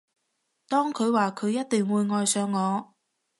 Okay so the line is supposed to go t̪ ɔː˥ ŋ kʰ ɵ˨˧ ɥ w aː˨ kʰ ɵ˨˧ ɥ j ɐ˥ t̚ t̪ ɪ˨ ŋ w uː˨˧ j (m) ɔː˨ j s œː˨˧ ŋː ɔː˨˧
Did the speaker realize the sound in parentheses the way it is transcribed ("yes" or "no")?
no